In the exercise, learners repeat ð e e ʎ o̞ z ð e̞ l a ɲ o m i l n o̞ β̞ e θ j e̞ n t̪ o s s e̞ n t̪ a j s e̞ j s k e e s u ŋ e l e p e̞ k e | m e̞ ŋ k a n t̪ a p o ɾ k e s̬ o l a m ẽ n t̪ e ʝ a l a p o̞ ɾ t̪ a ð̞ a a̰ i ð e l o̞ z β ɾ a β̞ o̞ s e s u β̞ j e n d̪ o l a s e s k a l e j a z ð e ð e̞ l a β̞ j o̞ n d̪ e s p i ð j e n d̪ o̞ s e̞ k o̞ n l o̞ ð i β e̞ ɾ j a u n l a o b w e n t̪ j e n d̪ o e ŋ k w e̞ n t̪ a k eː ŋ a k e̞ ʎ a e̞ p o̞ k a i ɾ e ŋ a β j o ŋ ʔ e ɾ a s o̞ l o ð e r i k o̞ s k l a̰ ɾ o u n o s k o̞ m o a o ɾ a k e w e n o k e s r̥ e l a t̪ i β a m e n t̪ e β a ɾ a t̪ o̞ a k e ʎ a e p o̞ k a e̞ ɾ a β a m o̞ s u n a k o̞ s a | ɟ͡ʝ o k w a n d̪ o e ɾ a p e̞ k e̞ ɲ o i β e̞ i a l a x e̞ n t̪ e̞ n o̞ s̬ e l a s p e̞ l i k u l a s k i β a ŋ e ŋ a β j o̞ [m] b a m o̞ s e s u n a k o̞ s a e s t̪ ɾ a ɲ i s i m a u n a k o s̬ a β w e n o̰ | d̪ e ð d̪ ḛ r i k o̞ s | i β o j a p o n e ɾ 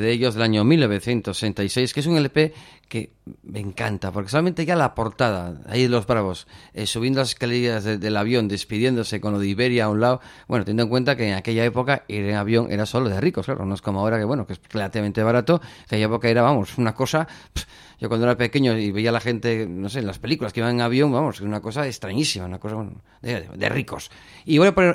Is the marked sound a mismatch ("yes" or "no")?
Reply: yes